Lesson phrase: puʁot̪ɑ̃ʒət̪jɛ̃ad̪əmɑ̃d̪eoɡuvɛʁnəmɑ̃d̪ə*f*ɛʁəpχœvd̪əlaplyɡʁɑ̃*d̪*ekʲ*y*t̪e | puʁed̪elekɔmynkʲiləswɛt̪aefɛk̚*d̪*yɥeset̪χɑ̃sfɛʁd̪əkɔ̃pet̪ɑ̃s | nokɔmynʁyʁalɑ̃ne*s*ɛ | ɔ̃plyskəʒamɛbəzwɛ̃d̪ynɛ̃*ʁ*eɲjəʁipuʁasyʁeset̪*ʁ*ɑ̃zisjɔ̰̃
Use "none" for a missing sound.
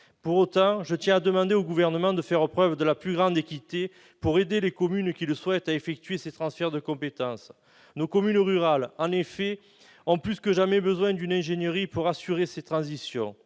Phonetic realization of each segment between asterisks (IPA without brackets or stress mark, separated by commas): f, d̪, i, t̪, f, ʒ, χ